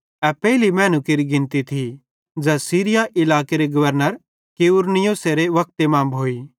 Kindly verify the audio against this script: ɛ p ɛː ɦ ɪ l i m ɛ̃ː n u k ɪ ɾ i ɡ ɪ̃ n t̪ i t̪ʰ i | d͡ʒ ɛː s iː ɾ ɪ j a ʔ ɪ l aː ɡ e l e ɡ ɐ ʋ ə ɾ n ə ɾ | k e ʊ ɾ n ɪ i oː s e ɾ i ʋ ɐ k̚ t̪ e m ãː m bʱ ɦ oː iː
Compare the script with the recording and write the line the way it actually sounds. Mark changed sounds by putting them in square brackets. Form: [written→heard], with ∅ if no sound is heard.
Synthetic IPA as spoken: ɛ p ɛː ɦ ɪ l i m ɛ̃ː n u k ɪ ɾ i ɡ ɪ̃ n t̪ i t̪ʰ i | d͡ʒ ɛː s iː ɾ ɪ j a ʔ ɪ l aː [ɡ→k] e [l→ɾ] e ɡ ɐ ʋ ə ɾ n ə ɾ | k e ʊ ɾ n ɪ [i→j] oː s e ɾ [i→e] ʋ ɐ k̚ t̪ e m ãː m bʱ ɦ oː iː

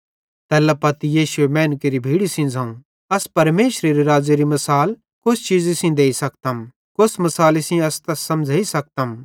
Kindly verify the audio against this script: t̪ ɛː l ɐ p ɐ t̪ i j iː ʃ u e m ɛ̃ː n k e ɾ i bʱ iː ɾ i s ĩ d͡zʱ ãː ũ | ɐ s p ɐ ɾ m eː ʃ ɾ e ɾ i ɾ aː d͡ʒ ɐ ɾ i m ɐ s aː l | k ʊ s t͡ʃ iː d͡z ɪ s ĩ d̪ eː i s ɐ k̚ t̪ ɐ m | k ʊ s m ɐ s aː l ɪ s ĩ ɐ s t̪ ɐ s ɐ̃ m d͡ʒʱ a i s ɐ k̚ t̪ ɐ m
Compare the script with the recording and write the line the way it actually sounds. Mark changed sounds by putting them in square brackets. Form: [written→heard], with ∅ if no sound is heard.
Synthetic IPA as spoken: t̪ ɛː l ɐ p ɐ t̪ i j iː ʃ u e m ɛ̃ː n k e ɾ i bʱ iː [ɾ→ɽ] i s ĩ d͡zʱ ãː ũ | ɐ s p ɐ ɾ m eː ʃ ɾ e ɾ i ɾ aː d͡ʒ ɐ ɾ i m ɐ s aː l | k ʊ s t͡ʃ iː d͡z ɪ s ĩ d̪ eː i s ɐ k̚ t̪ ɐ m | k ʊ s m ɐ s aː l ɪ s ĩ ɐ s t̪ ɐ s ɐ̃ m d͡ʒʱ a i s ɐ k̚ t̪ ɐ m

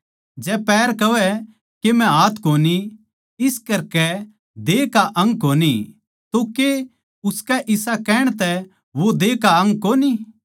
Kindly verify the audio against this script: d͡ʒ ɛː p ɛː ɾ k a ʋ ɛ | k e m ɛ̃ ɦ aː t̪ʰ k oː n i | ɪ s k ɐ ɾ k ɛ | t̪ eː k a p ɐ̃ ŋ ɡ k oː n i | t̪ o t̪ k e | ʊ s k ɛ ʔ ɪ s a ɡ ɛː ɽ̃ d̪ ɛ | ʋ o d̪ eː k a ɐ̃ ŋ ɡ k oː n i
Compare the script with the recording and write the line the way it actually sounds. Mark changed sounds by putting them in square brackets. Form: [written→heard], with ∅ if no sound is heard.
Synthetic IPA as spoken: d͡ʒ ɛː p ɛː ɾ k [a→ɐ] ʋ ɛ | k e m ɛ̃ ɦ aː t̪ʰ k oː n i | ɪ s k ɐ ɾ k ɛ | [t̪→d̪] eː k a [p→ʔ] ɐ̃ ŋ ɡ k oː n i | t̪ o [t̪→∅] k e | ʊ s k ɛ ʔ ɪ s a [ɡ→k] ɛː ɽ̃ [d̪→t̪] ɛ | ʋ o d̪ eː k a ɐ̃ ŋ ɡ k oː n i

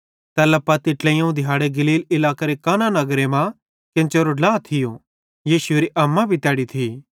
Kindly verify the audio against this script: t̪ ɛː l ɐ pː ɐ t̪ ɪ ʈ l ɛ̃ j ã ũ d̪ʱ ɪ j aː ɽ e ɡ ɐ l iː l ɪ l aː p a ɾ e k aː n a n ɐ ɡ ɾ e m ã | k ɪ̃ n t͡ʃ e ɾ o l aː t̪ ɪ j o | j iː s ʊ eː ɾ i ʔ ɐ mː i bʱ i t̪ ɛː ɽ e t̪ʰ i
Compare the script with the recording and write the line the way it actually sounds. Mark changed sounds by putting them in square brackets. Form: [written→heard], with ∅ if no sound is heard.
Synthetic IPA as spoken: t̪ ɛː l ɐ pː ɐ t̪ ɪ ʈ l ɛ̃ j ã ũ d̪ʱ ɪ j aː ɽ e ɡ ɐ l iː l ɪ l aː [p→k] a ɾ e k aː n a n ɐ ɡ ɾ e m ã | k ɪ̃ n t͡ʃ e ɾ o l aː [t̪→t̪ʰ] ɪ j o | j iː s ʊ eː ɾ i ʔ ɐ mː [i→a] bʱ i t̪ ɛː ɽ [e→i] t̪ʰ i

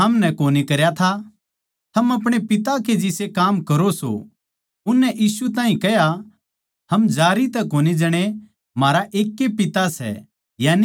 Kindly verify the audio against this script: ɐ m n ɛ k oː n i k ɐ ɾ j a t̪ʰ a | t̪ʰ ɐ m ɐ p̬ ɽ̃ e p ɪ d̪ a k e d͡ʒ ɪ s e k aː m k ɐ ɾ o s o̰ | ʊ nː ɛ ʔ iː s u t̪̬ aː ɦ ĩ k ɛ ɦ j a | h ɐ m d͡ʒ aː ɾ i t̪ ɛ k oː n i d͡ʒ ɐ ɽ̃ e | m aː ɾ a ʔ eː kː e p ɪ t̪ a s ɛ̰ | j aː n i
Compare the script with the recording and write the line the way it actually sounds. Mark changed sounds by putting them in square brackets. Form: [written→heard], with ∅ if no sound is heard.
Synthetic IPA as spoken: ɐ m n ɛ k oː n i k ɐ ɾ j a t̪ʰ a | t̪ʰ ɐ m ɐ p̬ ɽ̃ e p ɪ [d̪→t̪] a k e d͡ʒ ɪ s e k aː m k ɐ ɾ o s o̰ | ʊ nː ɛ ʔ iː s u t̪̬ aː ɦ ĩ k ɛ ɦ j a | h ɐ m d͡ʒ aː ɾ i t̪ ɛ k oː n i d͡ʒ ɐ ɽ̃ e | m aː ɾ a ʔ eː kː e p ɪ t̪ a s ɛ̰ | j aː n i

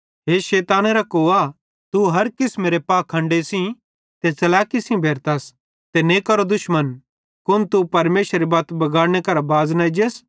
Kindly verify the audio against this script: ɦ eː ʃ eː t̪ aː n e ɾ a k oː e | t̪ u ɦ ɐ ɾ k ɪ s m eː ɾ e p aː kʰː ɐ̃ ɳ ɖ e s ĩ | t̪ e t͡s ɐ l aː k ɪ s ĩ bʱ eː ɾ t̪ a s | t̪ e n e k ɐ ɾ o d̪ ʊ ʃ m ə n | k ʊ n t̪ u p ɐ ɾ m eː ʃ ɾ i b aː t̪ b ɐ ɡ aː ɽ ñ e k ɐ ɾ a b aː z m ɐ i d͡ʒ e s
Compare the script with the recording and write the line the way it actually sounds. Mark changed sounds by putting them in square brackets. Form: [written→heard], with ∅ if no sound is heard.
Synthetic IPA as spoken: ɦ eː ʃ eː t̪ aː n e ɾ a k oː [e→a] | t̪ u ɦ ɐ ɾ k ɪ s m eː ɾ e p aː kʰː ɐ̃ ɳ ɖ e s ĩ | t̪ e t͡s ɐ l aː k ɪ s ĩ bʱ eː ɾ t̪ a s | t̪ e n e k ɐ ɾ o d̪ ʊ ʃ m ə n | k ʊ n t̪ u p ɐ ɾ m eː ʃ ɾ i b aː t̪ b ɐ ɡ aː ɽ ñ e k ɐ ɾ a b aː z [m→n] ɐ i d͡ʒ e s

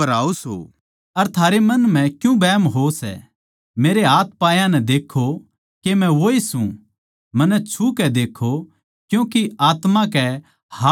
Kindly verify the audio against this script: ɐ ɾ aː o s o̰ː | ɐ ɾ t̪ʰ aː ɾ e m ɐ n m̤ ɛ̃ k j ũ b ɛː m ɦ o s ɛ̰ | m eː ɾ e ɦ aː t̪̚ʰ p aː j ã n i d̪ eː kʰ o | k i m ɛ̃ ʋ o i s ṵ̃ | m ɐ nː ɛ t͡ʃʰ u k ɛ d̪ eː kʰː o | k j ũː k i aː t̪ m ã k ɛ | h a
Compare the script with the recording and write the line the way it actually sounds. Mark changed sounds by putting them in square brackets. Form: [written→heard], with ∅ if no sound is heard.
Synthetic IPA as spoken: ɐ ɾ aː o s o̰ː | ɐ ɾ t̪ʰ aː ɾ e m ɐ n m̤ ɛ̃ k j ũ b ɛː m ɦ o s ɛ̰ | m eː ɾ e ɦ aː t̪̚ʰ p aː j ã n [i→ɛ] d̪ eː kʰ o | k [i→e] m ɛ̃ ʋ o i s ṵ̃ | m ɐ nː ɛ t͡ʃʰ u k ɛ d̪ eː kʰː o | k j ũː k i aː t̪ m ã k ɛ | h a

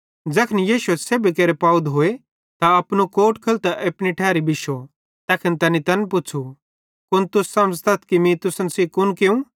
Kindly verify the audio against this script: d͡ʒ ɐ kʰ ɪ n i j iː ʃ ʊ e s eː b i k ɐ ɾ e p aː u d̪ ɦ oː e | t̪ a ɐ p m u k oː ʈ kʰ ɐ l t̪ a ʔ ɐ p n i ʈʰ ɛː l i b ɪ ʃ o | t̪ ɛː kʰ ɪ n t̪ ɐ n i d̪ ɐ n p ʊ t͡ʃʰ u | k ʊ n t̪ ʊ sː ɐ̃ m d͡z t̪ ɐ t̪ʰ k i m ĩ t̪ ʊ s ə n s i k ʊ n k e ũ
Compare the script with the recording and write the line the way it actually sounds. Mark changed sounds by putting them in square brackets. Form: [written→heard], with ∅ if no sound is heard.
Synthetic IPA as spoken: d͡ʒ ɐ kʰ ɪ n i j iː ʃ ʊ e s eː b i k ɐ ɾ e p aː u d̪ ɦ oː e | t̪ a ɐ p [m→n] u k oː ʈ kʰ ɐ l t̪ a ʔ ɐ p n i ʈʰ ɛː [l→ɾ] i b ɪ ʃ o | t̪ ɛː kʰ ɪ n t̪ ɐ n i [d̪→t̪] ɐ n p ʊ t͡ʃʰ u | k ʊ n t̪ ʊ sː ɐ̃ m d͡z t̪ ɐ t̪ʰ k i m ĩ t̪ ʊ s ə n s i k ʊ n k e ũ

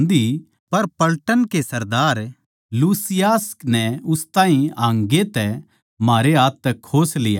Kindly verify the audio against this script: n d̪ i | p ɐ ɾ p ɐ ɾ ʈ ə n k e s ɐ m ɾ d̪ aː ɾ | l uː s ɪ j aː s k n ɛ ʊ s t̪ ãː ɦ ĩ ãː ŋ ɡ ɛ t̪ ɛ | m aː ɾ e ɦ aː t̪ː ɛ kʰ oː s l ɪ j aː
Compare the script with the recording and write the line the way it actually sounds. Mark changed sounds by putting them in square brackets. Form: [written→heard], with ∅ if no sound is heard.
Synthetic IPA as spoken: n d̪ i | p ɐ ɾ p ɐ [ɾ→l] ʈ ə n k e s ɐ [m→∅] ɾ d̪ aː ɾ | l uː s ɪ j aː s k n ɛ ʊ s t̪ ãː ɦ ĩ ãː ŋ ɡ [ɛ→e] t̪ ɛ | m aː ɾ e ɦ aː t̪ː ɛ kʰ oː s l ɪ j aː

